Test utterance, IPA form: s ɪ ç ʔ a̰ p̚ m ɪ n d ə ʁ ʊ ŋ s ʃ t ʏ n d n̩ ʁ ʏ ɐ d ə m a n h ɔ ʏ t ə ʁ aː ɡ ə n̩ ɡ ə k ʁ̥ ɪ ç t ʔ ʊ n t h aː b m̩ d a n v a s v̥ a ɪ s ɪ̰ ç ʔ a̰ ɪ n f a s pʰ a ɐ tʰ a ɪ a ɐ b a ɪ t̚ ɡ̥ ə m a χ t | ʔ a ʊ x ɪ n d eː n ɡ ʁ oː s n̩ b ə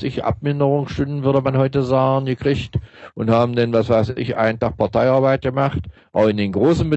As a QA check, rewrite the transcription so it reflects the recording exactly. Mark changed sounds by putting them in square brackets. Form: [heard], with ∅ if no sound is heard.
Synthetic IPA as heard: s ɪ ç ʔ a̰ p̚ m ɪ n d ə ʁ ʊ ŋ s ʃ t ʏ n d n̩ [v] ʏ ɐ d ə m a n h ɔ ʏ t ə [z] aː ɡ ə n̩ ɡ ə k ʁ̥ ɪ ç t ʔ ʊ n t h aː b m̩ d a n v a s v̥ a ɪ s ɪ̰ ç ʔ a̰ ɪ n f a [χ] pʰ a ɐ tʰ a ɪ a ɐ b a ɪ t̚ ɡ̥ ə m a χ t | ʔ a ʊ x ɪ n d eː n ɡ ʁ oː s n̩ b ə